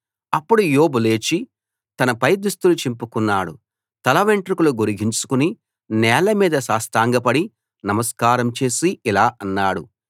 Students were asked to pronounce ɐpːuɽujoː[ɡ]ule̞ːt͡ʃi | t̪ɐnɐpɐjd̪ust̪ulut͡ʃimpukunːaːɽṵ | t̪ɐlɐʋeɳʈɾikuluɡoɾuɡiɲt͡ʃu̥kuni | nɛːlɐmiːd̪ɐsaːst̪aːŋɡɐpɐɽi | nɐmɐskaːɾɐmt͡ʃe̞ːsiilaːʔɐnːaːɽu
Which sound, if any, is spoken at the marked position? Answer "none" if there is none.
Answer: b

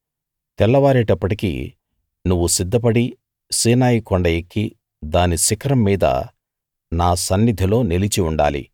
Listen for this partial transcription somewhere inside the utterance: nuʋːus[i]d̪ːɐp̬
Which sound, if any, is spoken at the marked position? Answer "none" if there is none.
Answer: i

